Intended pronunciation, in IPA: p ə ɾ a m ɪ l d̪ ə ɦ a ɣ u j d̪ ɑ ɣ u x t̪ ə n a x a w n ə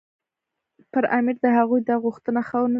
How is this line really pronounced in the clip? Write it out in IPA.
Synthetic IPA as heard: p ə ɾ a m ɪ ɾ d̪ ə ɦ a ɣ u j d̪ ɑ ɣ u x t̪ ə n a x a w n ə